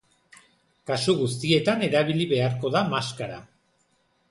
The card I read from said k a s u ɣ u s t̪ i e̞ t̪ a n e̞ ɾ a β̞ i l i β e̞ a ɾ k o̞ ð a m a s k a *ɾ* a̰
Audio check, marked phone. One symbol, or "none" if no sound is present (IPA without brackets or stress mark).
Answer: ɾ